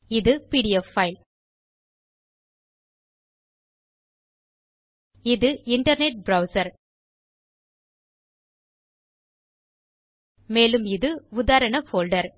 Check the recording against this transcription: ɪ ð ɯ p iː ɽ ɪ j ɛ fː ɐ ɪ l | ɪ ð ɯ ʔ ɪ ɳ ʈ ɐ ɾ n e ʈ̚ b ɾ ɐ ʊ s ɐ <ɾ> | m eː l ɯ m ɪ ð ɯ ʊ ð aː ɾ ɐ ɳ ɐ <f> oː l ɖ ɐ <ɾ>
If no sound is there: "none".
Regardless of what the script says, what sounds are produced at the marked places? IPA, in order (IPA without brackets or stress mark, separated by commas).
ɾ, f, ɾ